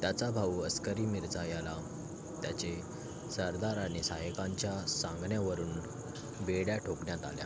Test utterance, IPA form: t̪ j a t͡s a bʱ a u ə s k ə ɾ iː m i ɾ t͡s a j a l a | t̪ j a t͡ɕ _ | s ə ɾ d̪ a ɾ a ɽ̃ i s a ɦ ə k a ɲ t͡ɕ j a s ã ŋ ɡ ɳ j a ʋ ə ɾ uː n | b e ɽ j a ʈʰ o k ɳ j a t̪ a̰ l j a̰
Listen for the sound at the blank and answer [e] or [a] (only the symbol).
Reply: e